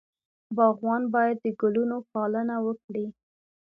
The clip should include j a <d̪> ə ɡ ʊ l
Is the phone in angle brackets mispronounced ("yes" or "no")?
yes